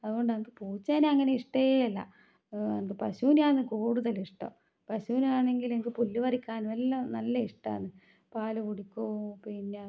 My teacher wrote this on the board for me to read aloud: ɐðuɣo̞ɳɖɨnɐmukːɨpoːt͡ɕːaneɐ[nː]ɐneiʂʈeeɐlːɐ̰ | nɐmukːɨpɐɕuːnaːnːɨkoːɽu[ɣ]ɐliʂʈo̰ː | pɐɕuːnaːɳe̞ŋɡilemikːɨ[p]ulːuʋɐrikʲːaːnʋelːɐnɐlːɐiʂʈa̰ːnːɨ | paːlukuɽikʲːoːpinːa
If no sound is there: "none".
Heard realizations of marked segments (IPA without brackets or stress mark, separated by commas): ŋː, ð, p